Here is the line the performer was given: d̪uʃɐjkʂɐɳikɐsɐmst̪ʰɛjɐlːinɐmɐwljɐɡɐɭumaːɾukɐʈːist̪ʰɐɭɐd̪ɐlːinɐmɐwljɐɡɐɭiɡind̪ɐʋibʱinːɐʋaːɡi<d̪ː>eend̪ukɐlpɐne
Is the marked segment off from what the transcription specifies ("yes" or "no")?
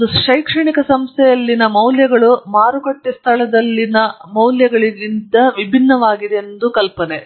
yes